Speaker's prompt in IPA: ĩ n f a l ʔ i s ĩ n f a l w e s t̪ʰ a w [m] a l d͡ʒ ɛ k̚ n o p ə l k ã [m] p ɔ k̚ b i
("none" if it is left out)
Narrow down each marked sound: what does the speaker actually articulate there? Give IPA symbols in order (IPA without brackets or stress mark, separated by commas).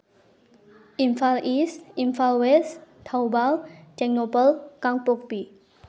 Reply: b, ŋ